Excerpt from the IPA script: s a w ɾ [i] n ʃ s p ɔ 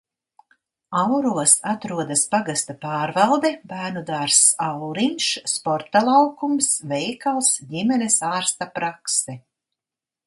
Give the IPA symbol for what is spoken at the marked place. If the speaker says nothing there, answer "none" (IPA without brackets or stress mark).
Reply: i